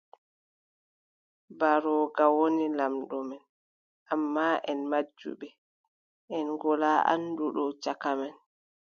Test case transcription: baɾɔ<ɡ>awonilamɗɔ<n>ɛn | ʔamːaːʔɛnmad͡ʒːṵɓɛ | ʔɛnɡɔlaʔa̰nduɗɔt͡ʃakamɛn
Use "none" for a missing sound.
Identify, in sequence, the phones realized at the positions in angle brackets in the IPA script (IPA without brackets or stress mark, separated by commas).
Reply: ɡ, m